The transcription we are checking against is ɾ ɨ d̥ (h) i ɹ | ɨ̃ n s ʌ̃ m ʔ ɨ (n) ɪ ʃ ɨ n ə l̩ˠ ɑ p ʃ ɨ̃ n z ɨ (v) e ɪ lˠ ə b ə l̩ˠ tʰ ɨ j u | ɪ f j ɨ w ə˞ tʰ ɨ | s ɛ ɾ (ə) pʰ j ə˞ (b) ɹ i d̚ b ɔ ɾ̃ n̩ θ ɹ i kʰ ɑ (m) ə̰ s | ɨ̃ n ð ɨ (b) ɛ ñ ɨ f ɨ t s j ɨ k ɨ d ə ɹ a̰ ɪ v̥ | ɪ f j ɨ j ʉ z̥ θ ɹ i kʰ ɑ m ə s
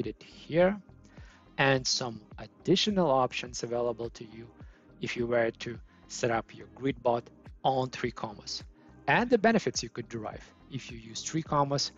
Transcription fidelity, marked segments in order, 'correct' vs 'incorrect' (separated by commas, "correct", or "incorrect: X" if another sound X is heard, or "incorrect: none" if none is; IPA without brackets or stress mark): correct, incorrect: d, correct, incorrect: ʌ, incorrect: ɡ, correct, correct